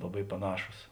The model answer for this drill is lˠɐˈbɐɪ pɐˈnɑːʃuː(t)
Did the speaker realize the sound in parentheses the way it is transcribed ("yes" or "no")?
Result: no